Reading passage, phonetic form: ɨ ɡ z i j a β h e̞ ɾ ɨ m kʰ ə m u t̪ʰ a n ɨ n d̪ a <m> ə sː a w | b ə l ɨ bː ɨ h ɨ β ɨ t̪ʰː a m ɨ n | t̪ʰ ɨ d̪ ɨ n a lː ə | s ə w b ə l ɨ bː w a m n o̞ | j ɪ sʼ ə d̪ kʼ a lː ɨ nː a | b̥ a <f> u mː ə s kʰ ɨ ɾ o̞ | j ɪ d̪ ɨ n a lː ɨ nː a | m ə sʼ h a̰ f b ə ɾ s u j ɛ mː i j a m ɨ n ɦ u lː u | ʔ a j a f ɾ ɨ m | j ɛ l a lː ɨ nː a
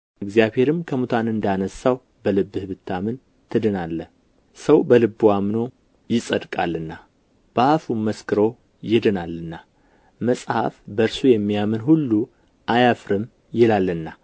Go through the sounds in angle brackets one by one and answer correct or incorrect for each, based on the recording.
incorrect, correct

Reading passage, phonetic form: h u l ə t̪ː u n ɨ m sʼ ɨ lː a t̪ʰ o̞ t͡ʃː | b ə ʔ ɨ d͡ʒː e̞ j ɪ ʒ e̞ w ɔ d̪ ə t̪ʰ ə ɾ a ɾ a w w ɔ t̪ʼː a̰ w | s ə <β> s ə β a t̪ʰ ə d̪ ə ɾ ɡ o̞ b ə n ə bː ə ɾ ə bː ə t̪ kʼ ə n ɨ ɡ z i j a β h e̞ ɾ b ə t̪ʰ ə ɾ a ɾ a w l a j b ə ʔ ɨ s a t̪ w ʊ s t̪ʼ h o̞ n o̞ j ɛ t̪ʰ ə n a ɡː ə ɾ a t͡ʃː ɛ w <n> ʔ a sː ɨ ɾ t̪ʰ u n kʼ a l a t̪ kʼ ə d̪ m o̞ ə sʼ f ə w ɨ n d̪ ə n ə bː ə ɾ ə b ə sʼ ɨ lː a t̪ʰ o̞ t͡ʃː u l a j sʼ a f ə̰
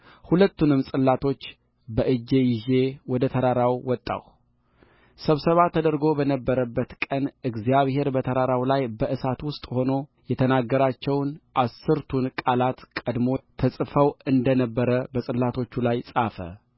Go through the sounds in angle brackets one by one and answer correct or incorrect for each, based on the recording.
correct, correct

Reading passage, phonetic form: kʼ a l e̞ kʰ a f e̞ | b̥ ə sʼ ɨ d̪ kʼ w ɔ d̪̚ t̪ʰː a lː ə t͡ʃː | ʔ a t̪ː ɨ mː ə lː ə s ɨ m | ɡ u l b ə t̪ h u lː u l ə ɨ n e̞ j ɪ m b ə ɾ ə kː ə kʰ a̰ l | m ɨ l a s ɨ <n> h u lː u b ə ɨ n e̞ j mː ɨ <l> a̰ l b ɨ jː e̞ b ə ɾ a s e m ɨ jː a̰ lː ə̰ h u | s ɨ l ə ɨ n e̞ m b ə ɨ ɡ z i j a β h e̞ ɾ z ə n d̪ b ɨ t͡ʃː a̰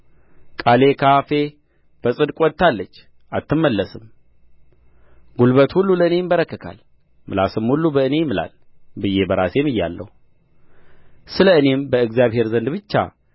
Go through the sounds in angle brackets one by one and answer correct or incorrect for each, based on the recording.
incorrect, correct

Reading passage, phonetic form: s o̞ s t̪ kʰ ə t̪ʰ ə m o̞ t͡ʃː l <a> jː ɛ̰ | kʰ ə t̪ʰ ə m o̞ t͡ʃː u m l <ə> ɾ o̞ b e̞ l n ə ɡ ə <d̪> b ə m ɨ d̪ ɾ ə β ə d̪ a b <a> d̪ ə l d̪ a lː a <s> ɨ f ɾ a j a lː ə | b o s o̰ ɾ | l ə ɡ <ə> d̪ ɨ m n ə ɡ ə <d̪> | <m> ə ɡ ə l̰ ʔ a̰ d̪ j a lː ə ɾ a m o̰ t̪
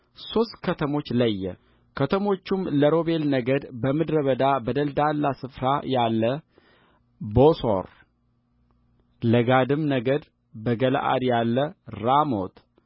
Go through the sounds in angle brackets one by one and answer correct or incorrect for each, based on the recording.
incorrect, correct, correct, incorrect, correct, incorrect, correct, incorrect

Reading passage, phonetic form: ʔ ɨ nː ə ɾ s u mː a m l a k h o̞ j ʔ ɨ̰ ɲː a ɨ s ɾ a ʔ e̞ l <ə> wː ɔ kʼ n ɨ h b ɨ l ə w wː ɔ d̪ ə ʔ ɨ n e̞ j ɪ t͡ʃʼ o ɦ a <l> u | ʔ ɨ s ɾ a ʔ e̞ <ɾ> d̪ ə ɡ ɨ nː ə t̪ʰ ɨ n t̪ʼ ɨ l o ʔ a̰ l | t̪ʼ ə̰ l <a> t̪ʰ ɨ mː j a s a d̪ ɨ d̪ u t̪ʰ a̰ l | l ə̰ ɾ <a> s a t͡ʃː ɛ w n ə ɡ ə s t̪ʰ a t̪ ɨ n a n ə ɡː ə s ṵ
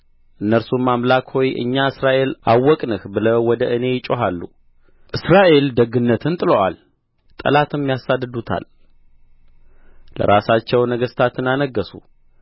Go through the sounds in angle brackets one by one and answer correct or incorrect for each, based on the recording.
incorrect, incorrect, incorrect, correct, correct

